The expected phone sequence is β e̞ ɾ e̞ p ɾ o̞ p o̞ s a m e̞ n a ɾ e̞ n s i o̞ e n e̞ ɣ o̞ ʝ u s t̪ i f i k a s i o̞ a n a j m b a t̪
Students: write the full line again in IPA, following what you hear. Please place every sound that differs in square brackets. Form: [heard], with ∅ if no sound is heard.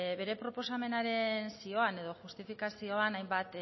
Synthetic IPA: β e̞ ɾ e̞ p ɾ o̞ p o̞ s a m e̞ n a ɾ e̞ n s i o̞ [a] n e̞ [ð] o̞ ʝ u s t̪ i f i k a s i o̞ a n a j m b a t̪